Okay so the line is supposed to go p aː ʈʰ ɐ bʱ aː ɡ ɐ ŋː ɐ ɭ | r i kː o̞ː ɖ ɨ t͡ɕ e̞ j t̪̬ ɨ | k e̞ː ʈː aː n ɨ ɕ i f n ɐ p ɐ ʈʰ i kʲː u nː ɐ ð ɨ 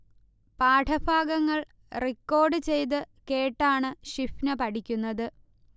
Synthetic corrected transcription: p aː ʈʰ ɐ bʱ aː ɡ ɐ ŋː ɐ ɭ | r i kː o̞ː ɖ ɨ t͡ɕ e̞ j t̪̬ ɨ | k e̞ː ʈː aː ɳ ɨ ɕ i f n ɐ p ɐ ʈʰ i kʲː u nː ɐ ð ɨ